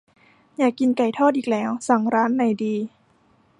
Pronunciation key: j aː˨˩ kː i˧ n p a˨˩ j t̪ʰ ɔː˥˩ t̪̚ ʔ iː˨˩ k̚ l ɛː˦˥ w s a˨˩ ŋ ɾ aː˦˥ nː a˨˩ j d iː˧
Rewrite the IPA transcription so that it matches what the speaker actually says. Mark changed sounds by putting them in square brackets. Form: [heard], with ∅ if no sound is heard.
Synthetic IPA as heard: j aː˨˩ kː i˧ n [k] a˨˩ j t̪ʰ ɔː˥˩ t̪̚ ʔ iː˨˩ k̚ l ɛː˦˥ w s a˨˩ ŋ ɾ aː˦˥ nː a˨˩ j d iː˧